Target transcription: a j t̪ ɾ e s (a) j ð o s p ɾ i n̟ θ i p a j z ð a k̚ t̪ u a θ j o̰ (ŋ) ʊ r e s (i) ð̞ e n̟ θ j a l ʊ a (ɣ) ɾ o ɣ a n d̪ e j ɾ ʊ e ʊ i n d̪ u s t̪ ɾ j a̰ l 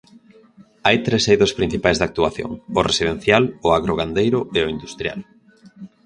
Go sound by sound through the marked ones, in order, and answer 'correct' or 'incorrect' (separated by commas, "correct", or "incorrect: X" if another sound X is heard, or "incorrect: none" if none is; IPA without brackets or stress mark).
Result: incorrect: e, correct, correct, correct